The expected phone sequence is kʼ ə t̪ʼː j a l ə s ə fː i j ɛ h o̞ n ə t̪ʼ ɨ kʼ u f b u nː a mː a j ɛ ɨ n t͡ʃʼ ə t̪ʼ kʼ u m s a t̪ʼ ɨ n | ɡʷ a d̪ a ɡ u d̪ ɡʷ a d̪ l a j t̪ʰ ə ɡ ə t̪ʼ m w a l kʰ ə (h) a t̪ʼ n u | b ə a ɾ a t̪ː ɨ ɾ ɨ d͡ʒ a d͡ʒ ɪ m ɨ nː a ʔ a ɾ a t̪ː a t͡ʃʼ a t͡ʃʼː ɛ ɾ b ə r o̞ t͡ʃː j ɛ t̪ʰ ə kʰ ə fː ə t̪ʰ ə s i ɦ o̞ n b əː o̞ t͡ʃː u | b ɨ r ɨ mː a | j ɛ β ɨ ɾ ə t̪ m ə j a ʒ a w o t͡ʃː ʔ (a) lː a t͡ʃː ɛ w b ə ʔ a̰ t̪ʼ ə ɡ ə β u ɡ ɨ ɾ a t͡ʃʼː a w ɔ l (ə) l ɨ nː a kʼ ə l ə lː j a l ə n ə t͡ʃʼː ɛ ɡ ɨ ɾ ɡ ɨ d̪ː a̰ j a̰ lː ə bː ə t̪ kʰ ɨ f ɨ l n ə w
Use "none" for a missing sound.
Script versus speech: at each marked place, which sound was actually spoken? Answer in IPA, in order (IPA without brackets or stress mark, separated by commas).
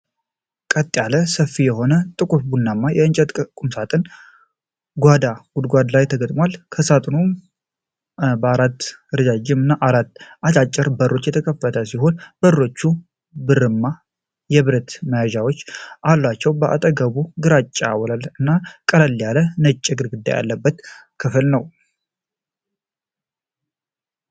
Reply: s, a, a